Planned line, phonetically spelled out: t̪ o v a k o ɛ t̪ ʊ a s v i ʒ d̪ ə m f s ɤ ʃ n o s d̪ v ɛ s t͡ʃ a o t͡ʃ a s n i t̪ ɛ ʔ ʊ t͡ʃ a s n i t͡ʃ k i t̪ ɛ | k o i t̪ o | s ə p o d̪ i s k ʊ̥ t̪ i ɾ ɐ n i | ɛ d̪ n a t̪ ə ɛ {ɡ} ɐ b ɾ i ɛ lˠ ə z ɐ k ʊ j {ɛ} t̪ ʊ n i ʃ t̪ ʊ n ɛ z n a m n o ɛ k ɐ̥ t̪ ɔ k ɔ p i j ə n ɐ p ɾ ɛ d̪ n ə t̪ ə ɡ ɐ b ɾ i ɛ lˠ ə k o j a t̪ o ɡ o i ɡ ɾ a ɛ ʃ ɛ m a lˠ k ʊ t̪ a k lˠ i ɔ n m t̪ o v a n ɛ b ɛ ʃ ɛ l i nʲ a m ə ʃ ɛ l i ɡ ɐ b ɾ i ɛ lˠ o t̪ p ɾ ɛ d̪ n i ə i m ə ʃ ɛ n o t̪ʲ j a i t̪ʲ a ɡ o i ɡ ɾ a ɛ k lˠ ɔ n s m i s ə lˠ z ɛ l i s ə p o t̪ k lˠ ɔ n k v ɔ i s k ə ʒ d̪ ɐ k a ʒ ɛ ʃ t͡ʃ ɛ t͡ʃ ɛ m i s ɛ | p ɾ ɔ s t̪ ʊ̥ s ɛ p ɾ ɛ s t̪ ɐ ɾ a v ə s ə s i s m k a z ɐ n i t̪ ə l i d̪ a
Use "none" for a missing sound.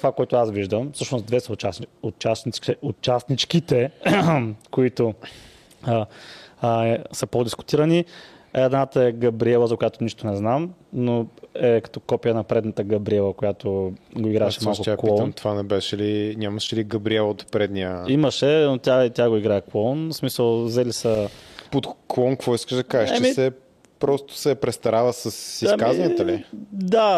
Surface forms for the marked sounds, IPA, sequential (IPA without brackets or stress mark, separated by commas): ɡ, a